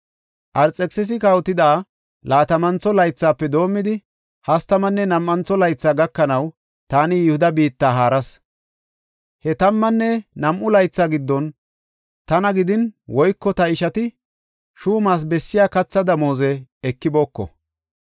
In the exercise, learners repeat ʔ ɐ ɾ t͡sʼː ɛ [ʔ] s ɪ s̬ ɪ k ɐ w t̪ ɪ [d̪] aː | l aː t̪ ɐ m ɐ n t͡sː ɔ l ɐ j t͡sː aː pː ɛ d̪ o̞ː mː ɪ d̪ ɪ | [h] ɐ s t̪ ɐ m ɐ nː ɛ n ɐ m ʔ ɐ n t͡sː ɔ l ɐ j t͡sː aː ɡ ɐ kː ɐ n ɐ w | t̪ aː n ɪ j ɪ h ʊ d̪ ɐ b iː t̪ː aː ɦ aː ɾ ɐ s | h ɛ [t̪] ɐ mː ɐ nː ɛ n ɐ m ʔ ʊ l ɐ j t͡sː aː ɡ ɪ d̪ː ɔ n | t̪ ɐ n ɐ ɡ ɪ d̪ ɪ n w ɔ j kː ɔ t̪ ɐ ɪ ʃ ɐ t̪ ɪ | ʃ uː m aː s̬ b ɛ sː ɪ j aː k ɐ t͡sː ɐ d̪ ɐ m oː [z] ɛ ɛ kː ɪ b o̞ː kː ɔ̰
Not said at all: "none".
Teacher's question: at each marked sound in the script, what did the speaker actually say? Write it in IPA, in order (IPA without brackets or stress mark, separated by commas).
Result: k, d̪, h, t̪, z